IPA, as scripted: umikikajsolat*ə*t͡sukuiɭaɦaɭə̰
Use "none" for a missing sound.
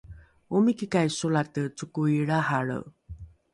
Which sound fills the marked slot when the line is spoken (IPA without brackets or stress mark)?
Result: ə